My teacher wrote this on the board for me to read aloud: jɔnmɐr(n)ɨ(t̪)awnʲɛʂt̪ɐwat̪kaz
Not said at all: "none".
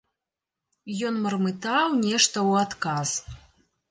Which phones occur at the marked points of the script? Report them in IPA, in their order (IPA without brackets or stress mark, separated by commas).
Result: m, t̪